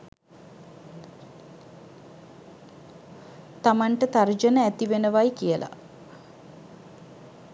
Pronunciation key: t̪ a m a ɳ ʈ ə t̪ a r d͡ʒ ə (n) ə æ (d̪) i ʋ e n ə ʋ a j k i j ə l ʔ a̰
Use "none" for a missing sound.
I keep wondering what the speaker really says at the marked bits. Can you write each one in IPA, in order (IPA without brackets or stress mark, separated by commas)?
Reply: n, t̪